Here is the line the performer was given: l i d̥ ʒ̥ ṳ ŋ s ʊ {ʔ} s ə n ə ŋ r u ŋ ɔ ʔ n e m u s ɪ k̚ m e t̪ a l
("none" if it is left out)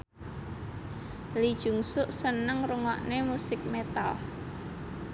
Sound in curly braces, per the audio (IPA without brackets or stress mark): ʔ